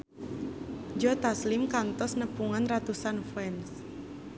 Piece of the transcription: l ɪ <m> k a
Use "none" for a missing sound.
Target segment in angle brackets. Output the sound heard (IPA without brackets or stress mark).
m